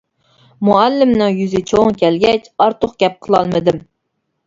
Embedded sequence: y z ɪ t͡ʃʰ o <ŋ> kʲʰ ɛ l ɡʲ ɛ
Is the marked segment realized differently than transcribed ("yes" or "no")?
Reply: no